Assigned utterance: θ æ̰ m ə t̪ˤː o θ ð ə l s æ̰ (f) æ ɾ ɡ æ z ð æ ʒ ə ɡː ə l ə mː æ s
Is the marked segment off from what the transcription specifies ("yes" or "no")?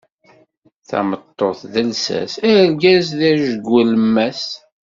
yes